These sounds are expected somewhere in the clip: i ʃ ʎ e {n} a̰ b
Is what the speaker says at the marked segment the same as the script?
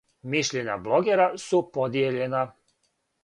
no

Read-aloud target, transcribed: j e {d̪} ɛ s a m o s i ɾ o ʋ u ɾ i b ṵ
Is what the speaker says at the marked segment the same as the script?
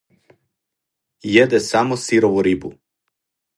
yes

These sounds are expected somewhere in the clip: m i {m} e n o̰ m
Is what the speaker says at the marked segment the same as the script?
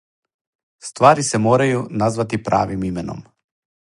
yes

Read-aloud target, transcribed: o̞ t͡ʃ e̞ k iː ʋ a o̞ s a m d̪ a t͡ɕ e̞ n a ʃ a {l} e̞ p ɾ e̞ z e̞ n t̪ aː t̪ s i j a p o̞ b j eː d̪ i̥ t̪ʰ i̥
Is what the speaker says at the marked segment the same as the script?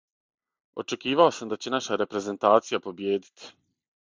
no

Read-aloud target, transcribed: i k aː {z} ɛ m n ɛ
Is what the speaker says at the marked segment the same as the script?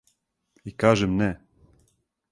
no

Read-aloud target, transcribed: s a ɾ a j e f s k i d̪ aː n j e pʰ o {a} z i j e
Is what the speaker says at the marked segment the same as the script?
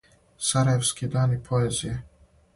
no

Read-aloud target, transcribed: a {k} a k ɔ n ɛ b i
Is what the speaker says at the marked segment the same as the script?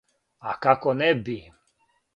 yes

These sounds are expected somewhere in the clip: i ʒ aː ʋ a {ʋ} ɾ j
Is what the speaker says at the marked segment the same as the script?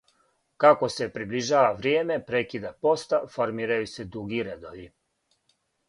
yes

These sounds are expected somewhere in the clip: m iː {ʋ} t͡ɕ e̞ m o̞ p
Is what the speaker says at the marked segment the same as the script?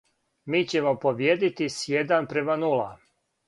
no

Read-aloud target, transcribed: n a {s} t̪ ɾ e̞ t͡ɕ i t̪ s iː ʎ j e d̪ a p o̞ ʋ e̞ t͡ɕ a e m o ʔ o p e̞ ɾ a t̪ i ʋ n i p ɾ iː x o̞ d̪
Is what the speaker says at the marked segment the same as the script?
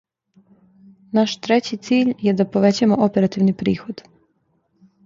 no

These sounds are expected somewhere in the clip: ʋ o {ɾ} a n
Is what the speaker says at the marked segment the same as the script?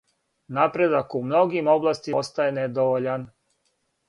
no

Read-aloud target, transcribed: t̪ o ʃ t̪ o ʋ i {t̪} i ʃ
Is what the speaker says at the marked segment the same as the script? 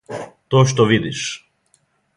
no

